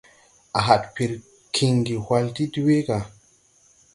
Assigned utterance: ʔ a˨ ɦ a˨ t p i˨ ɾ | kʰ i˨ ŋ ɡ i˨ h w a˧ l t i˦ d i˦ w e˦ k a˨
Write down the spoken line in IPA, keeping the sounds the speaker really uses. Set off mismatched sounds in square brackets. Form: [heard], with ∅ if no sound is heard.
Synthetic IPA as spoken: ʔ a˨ ɦ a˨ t p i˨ ɾ | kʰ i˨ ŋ ɡ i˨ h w a˧ l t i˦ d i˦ w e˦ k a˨